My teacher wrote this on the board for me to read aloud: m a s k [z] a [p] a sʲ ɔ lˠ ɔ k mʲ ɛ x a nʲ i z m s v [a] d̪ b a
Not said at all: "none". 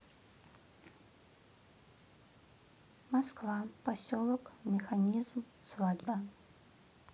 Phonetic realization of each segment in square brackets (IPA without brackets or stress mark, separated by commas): v, p, a